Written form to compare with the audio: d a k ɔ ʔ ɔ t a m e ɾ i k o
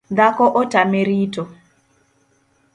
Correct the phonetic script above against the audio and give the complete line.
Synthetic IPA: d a k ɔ ʔ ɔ t a m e ɾ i t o